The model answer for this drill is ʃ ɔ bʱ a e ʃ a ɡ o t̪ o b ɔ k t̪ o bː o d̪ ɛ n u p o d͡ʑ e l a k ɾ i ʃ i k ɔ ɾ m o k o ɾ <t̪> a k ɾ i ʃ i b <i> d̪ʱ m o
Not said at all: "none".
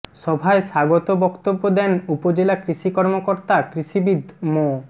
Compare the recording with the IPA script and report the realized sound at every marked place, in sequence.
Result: t̪, i

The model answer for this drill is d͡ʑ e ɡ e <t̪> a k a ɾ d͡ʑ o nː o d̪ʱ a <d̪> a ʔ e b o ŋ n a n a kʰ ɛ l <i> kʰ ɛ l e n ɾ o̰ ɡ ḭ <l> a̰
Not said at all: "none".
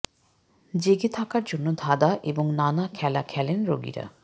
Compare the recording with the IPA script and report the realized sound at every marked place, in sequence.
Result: t̪ʰ, d̪, a, ɾ

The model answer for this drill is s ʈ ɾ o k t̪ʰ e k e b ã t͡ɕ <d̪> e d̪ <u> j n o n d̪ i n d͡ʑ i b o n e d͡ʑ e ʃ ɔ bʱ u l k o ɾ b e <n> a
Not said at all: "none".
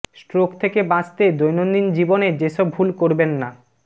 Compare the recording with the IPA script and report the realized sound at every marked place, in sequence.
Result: t̪, o, nː

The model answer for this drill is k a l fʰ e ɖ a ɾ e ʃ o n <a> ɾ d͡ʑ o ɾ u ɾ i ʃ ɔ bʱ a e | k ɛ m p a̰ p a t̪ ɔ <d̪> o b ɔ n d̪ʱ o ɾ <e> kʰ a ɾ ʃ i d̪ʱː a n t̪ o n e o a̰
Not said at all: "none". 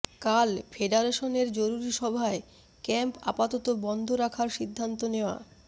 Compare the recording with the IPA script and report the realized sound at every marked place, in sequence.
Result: e, t̪, a

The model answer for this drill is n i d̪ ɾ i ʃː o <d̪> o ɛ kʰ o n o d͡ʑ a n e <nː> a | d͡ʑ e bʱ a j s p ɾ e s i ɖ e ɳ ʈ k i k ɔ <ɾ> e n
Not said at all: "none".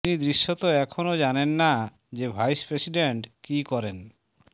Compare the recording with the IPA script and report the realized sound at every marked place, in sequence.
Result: t̪, nː, ɾ

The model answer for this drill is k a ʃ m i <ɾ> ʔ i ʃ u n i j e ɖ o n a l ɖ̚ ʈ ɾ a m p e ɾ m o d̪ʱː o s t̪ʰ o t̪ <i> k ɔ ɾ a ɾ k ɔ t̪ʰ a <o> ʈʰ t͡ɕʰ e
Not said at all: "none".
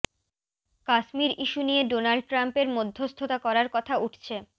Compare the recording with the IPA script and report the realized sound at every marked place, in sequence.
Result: ɾ, a, u

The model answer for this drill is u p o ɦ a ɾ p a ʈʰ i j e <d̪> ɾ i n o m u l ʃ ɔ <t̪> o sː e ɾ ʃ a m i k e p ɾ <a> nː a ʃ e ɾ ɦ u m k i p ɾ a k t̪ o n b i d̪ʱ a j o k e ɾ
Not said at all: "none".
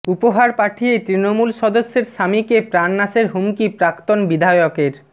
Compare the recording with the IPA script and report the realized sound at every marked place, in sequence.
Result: t̪, d̪, a

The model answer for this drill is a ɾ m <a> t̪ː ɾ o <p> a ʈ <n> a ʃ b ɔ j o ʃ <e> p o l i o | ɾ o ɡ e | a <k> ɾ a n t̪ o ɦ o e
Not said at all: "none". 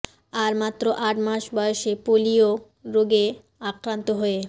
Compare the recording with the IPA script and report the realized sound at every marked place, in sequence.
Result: a, ʔ, m, e, k

